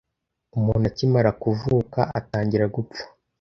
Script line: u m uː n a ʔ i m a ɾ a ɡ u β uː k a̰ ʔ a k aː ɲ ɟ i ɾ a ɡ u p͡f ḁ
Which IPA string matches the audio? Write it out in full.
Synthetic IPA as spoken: u m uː n a c i m a ɾ a k u v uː k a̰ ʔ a t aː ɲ ɟ i ɾ a ɡ u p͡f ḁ